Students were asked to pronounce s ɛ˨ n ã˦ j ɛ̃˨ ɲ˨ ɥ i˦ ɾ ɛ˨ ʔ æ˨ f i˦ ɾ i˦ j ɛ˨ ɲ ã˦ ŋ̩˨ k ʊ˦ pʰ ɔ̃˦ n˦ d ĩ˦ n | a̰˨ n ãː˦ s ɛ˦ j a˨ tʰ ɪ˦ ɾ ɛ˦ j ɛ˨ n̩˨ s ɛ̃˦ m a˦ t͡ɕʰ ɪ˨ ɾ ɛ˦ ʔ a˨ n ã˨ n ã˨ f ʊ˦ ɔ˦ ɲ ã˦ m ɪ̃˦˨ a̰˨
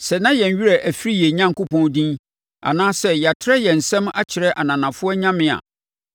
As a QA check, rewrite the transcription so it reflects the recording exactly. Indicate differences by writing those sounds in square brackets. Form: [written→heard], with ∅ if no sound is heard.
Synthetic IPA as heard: s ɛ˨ n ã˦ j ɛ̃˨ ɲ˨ ɥ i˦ ɾ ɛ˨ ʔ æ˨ f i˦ ɾ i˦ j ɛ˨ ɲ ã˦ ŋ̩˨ k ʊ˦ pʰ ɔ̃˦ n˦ d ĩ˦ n | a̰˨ n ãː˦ s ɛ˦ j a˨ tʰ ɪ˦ ɾ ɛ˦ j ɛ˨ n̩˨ s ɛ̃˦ m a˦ t͡ɕʰ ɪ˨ ɾ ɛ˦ ʔ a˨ n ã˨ n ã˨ f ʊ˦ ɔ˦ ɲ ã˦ m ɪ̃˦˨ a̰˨